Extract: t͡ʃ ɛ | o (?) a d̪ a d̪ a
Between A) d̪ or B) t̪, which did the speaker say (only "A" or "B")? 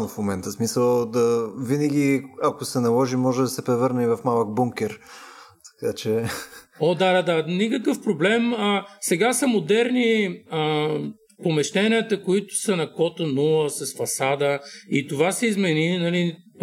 A